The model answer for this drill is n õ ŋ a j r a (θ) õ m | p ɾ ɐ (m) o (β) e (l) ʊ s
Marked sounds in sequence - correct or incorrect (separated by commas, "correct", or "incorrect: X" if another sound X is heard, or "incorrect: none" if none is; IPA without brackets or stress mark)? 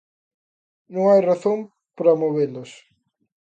correct, correct, correct, correct